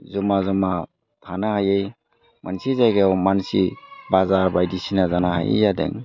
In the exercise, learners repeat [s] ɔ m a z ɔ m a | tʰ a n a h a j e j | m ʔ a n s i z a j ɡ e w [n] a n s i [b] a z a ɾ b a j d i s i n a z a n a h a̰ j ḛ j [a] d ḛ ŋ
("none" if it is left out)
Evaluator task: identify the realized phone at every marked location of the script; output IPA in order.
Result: z, m, b, a

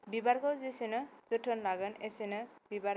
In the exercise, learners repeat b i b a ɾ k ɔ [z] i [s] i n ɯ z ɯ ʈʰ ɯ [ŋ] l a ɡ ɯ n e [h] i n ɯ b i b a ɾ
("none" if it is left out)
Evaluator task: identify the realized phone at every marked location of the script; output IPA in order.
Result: z, s, n, s

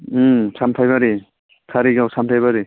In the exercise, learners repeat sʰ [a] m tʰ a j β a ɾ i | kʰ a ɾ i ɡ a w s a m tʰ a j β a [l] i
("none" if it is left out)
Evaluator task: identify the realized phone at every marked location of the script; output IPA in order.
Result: a, ɾ

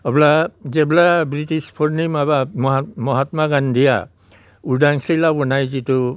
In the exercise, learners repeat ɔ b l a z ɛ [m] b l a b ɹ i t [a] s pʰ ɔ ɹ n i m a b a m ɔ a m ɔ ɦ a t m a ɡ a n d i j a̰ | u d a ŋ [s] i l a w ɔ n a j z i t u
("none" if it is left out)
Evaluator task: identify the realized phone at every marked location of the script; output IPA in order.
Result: none, i, s

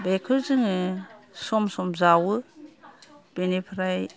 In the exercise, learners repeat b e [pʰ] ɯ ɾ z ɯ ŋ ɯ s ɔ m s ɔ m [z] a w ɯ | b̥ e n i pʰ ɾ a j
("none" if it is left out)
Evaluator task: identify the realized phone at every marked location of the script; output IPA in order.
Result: kʰ, z

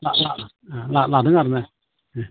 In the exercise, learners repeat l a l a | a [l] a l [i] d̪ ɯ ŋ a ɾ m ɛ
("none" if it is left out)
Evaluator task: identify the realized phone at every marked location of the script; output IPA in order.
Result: l, a

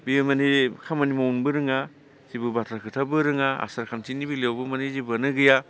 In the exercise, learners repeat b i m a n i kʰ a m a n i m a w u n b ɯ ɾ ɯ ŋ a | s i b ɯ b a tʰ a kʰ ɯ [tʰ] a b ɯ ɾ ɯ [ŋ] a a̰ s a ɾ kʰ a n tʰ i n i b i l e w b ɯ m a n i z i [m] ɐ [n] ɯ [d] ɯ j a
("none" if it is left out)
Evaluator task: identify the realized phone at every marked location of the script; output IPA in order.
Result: tʰ, ŋ, b, n, ɡ

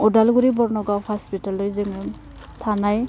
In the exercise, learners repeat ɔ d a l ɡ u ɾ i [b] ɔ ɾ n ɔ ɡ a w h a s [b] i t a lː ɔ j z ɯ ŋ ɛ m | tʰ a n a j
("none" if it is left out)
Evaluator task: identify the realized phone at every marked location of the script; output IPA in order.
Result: b, p

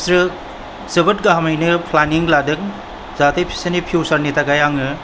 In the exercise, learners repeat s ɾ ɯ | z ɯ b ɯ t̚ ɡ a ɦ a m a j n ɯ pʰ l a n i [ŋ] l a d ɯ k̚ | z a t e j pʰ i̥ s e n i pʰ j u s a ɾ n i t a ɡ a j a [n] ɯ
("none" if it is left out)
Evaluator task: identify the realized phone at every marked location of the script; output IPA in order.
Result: ŋ, ŋ

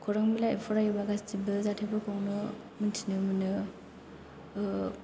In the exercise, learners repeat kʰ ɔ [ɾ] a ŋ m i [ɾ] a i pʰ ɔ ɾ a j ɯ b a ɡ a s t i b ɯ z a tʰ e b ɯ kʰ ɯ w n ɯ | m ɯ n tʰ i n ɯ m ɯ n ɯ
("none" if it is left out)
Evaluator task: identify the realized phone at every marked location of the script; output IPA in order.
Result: ɾ, l

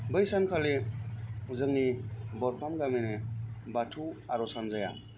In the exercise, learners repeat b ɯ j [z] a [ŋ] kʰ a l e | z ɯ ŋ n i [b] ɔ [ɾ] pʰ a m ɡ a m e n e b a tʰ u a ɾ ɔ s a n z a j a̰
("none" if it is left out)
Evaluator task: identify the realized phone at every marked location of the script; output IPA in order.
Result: s, n, b, ɾ

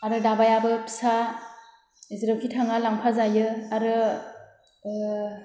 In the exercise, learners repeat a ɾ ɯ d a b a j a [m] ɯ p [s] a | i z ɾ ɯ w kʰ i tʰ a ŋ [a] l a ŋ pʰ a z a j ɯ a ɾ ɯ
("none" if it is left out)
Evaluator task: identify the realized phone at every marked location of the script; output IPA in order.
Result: b, s, a

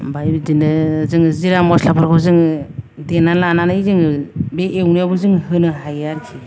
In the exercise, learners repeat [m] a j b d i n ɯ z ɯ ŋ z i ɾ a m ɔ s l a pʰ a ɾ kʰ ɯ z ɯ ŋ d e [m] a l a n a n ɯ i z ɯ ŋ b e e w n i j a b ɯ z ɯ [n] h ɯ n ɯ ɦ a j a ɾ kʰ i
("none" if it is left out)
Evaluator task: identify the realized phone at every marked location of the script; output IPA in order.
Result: b, n, ŋ

